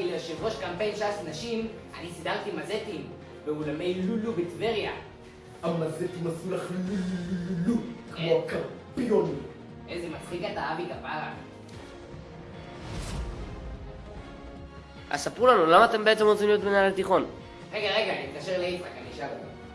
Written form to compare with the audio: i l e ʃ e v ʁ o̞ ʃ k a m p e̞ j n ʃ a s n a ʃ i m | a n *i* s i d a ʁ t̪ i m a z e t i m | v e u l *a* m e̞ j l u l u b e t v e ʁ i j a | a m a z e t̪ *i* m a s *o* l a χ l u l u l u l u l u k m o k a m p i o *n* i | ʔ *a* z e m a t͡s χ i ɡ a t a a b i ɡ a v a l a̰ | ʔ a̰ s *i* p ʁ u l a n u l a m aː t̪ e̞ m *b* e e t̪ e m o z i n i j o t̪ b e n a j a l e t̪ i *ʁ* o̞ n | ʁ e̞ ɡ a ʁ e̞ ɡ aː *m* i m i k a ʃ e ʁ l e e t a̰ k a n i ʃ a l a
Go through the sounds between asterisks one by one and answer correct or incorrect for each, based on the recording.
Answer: correct, correct, correct, incorrect, correct, incorrect, incorrect, correct, incorrect, incorrect

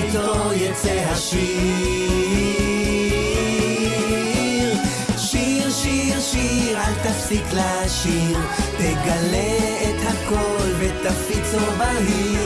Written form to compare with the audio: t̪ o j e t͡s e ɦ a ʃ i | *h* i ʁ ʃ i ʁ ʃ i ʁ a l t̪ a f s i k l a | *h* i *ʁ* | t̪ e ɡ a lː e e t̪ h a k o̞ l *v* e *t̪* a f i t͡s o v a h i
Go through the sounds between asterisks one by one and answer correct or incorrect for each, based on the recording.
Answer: incorrect, incorrect, correct, correct, correct

